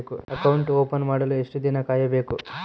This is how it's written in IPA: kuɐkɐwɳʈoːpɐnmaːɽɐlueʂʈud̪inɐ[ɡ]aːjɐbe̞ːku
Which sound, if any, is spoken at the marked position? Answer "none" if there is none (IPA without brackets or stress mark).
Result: k